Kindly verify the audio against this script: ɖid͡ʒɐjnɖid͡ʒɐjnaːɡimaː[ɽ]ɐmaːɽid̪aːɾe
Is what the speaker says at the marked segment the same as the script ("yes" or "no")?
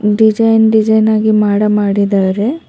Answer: yes